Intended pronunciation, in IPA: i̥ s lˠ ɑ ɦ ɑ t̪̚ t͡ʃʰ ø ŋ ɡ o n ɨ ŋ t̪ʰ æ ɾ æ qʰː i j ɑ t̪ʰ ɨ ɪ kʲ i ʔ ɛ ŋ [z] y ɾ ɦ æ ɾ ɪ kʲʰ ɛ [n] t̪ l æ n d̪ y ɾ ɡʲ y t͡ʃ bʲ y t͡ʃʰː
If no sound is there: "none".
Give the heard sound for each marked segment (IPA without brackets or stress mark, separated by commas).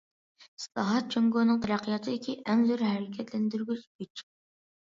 z, none